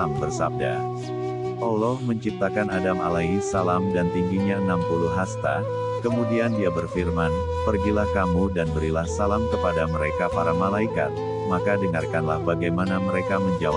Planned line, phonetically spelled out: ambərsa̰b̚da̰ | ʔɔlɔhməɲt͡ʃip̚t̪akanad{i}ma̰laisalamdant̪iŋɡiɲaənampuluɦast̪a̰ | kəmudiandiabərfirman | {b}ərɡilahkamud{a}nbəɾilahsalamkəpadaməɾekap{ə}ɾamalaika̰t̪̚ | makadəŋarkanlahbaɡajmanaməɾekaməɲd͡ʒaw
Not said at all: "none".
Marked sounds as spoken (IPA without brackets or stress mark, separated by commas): a, p, a, a